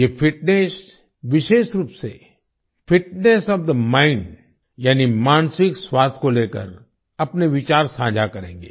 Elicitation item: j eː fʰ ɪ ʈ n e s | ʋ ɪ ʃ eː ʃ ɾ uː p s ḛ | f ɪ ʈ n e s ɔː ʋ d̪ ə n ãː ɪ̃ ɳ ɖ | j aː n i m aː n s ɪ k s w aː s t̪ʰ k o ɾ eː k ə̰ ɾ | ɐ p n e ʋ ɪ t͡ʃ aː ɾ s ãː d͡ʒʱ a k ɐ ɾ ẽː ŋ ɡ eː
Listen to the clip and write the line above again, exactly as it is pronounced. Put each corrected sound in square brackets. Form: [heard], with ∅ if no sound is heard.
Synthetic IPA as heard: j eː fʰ ɪ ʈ n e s | ʋ ɪ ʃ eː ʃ ɾ uː p s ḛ | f ɪ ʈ n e s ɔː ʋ d̪ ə [m] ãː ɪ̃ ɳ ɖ | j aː n i m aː n s ɪ k s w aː s t̪ʰ k o [l] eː k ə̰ ɾ | ɐ p n e ʋ ɪ t͡ʃ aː ɾ s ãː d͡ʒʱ a k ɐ ɾ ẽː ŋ ɡ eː